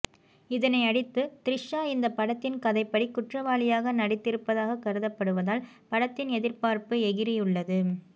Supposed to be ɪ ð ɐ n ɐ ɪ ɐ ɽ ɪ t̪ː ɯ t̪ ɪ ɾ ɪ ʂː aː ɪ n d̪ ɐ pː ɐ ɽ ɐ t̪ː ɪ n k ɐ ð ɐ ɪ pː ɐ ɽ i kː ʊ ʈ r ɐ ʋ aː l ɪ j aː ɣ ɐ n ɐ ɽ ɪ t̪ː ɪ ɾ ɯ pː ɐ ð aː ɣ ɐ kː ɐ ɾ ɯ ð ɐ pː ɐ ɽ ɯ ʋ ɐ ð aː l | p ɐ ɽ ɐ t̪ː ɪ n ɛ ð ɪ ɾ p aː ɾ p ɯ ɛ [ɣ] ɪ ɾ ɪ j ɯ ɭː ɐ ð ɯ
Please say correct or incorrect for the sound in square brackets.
correct